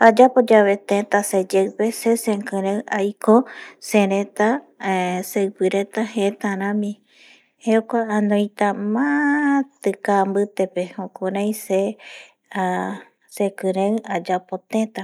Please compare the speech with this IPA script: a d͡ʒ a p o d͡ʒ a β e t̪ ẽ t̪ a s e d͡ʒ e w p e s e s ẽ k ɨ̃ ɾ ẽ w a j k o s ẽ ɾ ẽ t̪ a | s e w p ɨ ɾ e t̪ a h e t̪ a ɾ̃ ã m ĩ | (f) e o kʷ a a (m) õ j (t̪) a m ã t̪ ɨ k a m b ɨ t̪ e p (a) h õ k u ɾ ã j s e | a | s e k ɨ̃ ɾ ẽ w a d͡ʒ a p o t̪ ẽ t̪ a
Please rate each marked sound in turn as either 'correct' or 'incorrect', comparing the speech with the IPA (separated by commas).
incorrect, incorrect, correct, incorrect